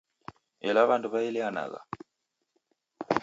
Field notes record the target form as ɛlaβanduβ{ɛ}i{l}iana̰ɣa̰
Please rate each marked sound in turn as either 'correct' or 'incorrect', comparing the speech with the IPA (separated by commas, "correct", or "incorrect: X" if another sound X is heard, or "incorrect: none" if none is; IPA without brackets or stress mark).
incorrect: a, correct